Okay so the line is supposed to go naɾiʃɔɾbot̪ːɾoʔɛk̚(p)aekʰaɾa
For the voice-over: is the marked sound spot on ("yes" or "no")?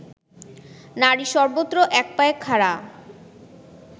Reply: yes